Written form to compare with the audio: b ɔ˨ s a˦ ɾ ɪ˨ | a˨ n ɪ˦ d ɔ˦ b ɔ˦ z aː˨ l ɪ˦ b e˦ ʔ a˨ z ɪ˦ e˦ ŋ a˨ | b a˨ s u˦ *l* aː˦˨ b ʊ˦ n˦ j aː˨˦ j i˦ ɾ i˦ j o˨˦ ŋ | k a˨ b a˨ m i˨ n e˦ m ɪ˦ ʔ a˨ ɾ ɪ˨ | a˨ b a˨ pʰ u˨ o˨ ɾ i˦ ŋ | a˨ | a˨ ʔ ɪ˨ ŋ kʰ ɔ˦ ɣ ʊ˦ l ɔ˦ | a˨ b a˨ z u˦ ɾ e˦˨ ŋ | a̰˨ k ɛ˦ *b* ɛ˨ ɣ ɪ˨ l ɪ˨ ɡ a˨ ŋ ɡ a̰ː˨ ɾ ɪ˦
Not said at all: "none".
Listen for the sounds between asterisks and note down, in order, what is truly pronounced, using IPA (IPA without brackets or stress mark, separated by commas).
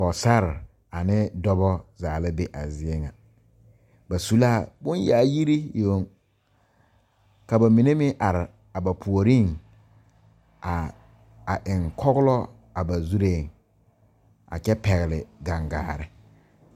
l, p